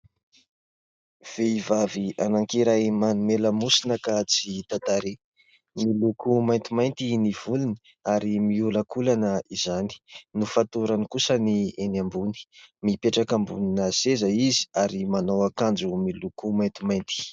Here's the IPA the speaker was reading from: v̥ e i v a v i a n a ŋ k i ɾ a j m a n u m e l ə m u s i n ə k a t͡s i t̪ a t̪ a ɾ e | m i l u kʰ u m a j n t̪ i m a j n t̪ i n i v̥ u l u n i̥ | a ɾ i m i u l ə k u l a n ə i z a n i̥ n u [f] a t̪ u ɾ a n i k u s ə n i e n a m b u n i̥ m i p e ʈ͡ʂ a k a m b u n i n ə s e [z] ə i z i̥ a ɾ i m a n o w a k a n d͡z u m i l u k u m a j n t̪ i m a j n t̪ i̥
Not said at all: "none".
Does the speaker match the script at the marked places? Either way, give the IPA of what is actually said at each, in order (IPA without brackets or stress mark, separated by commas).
f, z